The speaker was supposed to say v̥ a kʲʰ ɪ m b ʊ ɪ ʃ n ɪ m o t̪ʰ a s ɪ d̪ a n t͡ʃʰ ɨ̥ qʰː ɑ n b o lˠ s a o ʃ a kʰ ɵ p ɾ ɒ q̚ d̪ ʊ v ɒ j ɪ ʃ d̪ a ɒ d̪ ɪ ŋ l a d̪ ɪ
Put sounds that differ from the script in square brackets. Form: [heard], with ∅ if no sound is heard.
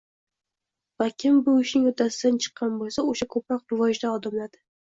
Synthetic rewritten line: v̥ a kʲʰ ɪ m b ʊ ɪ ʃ n ɪ [ŋ] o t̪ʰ a s ɪ d̪ a n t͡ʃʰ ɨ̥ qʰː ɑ n b o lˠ s a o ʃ a kʰ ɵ p ɾ ɒ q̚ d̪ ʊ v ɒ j ɪ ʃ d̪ a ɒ d̪ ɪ [m] l a d̪ ɪ